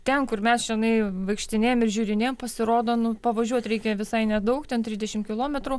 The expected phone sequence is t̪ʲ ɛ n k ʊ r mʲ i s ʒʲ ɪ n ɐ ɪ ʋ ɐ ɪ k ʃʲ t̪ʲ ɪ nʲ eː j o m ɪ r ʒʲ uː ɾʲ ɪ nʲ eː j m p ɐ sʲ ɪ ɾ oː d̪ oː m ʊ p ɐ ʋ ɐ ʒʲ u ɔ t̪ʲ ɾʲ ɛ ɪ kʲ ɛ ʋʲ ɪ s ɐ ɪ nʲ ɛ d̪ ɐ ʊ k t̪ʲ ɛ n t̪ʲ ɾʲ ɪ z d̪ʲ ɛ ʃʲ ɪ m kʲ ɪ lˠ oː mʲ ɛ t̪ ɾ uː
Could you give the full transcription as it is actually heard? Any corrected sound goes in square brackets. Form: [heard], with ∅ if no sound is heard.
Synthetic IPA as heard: t̪ʲ ɛ n k ʊ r mʲ [ɛ] s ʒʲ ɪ n ɐ ɪ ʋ ɐ ɪ k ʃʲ t̪ʲ ɪ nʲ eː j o m ɪ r ʒʲ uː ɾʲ ɪ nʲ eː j m p ɐ sʲ ɪ ɾ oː d̪ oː [n] ʊ p ɐ ʋ ɐ ʒʲ u ɔ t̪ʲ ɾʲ ɛ ɪ kʲ ɛ ʋʲ ɪ s ɐ ɪ nʲ ɛ d̪ ɐ ʊ k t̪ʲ ɛ n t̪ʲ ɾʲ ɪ z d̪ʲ ɛ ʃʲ ɪ m kʲ ɪ lˠ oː mʲ ɛ t̪ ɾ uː